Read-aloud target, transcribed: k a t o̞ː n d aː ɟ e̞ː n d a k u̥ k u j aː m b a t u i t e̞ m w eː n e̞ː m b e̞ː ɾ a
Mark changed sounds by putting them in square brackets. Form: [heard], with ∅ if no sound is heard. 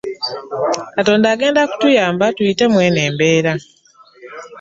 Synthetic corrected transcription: k a t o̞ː n d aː [ɡ] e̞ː n d a k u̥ [t] u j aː m b a t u i t e̞ m w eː n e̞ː m b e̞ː ɾ a